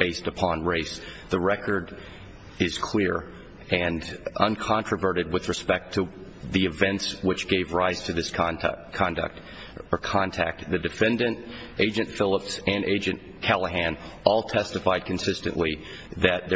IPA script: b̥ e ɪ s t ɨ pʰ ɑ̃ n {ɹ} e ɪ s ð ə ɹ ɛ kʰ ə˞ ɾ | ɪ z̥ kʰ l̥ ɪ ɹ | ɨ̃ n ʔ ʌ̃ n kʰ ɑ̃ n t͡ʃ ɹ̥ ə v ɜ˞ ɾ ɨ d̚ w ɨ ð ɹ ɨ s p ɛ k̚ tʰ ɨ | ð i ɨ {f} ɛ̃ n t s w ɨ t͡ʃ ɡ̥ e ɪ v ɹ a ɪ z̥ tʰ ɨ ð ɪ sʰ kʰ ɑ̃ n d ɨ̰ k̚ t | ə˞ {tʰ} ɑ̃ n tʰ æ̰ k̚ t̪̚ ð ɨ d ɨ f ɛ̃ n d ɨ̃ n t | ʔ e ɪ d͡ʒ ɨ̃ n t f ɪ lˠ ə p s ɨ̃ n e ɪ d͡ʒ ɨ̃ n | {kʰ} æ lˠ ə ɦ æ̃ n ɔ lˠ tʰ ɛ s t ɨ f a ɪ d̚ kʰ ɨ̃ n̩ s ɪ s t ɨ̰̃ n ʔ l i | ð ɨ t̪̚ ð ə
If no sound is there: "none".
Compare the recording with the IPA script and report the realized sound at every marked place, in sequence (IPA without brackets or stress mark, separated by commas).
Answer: ɹ, v, kʰ, kʰ